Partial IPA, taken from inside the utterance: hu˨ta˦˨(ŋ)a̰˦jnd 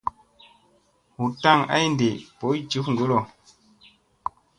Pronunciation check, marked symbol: correct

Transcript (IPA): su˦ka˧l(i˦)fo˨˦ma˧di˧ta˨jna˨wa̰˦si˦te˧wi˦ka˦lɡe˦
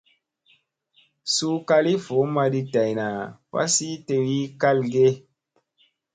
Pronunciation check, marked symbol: correct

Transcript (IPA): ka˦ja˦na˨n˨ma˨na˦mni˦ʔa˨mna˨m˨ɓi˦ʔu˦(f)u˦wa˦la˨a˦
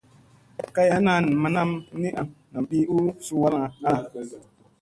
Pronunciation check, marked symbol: incorrect: s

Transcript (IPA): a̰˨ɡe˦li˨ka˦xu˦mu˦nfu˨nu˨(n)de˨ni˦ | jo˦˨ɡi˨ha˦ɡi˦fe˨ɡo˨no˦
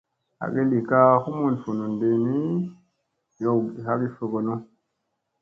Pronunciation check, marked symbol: correct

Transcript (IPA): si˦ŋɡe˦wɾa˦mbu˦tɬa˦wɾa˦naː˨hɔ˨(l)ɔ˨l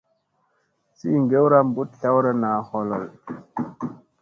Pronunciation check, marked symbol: correct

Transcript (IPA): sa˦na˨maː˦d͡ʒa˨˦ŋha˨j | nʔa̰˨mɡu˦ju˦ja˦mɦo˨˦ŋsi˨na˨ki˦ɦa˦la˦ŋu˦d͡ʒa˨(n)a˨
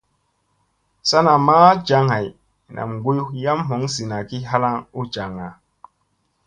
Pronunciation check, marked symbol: incorrect: ŋ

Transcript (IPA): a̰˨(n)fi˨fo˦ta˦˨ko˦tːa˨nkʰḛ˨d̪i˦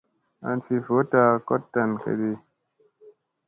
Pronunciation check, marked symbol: correct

